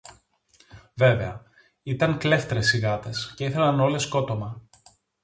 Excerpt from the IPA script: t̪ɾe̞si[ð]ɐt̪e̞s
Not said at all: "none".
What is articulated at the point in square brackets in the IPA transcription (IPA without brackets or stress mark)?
ɣ